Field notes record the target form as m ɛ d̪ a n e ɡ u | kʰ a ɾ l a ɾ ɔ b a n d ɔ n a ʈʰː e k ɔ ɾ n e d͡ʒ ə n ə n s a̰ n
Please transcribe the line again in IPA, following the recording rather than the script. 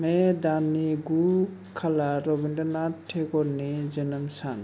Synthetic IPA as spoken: m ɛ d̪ a n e ɡ u | kʰ a l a ɾ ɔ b i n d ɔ n a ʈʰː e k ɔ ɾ n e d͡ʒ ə n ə m s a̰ n